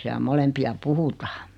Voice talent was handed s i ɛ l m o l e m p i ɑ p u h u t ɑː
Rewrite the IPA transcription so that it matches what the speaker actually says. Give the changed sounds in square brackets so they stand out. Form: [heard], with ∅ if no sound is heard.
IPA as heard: s i [æ] l m o l e m p i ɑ p u h u t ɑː